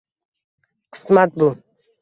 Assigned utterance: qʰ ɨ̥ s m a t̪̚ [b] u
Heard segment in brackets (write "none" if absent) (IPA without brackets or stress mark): b